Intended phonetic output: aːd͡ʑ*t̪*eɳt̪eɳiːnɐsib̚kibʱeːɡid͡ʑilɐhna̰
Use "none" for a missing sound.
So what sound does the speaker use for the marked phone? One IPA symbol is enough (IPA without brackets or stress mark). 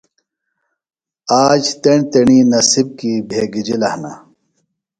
t̪